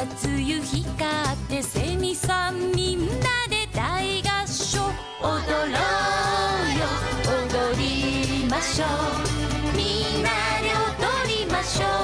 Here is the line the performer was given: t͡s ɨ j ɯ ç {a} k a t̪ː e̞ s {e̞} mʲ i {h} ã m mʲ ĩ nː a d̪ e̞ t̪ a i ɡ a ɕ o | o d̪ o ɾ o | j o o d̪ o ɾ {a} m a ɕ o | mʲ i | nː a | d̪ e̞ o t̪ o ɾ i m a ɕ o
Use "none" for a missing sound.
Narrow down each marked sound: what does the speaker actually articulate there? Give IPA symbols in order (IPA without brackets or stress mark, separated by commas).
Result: i, e̞, s, i